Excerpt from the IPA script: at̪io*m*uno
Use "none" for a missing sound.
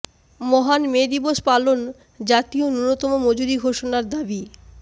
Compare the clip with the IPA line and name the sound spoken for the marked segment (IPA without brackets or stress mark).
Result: n